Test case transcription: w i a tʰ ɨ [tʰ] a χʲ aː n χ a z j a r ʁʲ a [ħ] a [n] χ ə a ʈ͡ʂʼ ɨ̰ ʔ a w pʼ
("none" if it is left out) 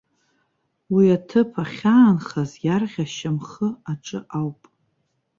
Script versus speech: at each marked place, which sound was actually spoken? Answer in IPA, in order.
pʰ, ʃ, m

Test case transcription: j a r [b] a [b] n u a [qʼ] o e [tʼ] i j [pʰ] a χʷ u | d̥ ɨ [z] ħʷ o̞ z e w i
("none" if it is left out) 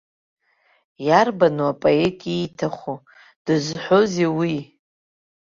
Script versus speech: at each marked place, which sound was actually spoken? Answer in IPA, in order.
b, none, pʼ, tʼ, tʰ, z

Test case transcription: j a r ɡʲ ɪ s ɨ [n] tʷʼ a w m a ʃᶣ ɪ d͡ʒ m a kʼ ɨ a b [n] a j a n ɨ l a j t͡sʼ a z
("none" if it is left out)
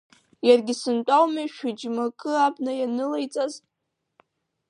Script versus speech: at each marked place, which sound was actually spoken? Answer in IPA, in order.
n, n

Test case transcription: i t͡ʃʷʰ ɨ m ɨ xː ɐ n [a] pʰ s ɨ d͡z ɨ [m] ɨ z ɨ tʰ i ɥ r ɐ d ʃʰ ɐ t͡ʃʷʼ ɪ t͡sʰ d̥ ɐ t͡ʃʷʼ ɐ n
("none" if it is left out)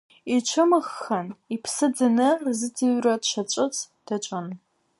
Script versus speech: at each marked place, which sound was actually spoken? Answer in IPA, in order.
i, n

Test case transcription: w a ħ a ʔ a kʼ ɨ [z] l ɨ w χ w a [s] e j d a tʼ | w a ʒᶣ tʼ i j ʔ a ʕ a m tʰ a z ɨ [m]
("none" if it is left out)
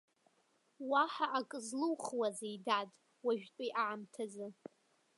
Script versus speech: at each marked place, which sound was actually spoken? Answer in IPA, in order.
z, z, none

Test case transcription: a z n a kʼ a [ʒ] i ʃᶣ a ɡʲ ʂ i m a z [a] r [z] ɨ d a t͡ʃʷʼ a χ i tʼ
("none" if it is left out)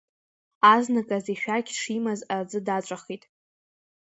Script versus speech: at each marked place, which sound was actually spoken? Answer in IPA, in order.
z, a, d͡z

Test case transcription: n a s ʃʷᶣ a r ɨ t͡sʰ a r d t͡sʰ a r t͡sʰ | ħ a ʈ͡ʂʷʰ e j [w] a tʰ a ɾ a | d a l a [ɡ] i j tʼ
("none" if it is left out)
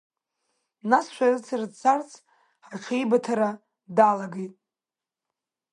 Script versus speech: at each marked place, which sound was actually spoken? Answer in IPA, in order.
b, ɡ

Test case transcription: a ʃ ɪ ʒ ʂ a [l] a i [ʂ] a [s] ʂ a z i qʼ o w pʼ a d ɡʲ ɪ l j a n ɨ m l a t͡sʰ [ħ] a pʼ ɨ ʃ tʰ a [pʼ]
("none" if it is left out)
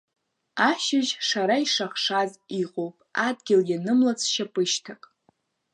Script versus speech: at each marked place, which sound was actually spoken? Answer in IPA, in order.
ɾ, ʂ, χ, ʃ, kʼ

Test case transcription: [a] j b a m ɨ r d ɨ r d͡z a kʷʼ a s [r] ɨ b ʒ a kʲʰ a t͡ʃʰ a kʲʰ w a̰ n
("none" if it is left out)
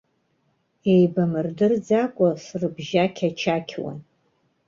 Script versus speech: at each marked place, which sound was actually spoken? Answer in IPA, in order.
e, r

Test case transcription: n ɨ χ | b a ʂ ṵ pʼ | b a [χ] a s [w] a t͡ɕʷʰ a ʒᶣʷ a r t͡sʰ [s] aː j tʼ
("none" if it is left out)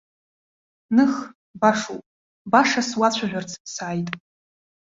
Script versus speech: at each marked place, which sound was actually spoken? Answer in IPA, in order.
ʂ, w, s

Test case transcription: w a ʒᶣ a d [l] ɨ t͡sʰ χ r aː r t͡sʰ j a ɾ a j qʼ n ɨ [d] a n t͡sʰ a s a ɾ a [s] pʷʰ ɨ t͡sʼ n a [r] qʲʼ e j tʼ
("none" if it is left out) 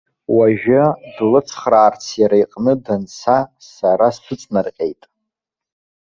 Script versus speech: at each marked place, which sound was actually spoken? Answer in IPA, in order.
l, d, s, r

